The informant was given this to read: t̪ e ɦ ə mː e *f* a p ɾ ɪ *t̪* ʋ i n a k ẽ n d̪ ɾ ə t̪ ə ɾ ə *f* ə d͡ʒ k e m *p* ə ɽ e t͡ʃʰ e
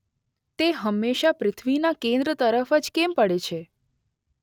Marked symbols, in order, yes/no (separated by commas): no, no, yes, yes